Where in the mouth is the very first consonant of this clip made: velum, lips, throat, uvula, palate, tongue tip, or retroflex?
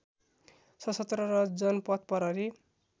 tongue tip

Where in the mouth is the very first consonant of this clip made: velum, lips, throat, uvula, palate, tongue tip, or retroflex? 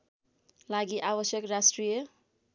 tongue tip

